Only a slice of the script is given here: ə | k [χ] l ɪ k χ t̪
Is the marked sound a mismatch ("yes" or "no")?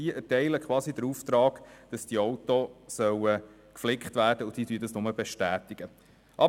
yes